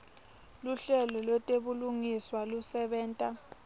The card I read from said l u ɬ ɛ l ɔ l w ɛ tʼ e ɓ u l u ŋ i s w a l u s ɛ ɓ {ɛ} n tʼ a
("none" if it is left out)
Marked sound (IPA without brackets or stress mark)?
ɛː